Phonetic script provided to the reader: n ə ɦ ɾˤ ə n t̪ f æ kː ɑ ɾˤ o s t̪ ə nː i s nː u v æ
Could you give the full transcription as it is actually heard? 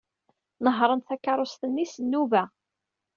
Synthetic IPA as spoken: n ə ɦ ɾˤ ə n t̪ θ æ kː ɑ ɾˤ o s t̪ ə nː i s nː u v æ